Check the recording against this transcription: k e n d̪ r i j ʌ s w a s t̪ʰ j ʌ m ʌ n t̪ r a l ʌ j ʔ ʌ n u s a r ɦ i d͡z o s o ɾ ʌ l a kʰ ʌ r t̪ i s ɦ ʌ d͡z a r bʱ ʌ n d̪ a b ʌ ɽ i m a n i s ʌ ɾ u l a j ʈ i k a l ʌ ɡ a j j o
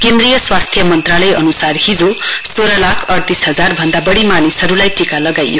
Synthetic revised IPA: k e n d̪ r i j ʌ s w a s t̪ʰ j ʌ m ʌ n t̪ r a l ʌ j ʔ ʌ n u s a r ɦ i d͡z o s o ɾ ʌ l a kʰ ʌ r t̪ i s ɦ ʌ d͡z a r bʱ ʌ n d̪ a b ʌ ɽ i m a n i s ʌ ɾ u l a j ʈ i k a l ʌ ɡ a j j o